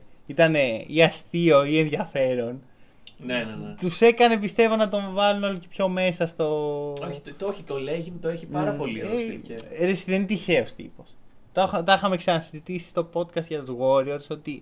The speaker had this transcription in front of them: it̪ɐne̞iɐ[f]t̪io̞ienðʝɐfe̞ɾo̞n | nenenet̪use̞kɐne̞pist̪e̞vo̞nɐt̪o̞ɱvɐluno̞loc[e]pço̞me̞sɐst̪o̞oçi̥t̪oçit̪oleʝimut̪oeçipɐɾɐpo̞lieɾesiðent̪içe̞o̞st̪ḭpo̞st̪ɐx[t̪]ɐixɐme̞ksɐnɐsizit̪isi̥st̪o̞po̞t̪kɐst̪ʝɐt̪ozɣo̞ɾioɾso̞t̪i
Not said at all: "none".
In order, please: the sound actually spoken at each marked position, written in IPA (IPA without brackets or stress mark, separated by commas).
s, e, t̪